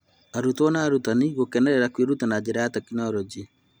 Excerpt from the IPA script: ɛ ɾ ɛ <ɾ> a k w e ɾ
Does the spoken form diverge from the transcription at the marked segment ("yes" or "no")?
no